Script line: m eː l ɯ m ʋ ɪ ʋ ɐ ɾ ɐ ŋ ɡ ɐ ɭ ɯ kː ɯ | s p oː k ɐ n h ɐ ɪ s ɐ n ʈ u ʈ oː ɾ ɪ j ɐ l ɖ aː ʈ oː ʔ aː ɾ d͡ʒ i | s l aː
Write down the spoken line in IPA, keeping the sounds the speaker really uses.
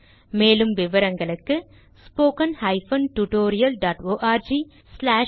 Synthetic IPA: m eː l ɯ m ʋ ɪ ʋ ɐ ɾ ɐ ŋ ɡ ɐ ɭ ɯ kː ɯ | s p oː k ɐ n h ɐ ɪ f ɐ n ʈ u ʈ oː ɾ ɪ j ɐ l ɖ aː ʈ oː ʔ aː ɾ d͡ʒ i | s l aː